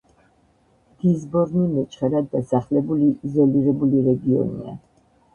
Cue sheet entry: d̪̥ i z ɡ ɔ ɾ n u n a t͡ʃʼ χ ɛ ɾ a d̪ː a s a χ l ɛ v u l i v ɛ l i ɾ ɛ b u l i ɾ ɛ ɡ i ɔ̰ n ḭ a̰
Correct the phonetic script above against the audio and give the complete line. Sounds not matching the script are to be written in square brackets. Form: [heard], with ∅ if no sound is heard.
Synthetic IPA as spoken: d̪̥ i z [b] ɔ ɾ n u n [ɛ] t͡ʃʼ χ ɛ ɾ a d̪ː a s a χ l ɛ [b] u l i [z] ɛ l i ɾ ɛ b u l i ɾ ɛ ɡ i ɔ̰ n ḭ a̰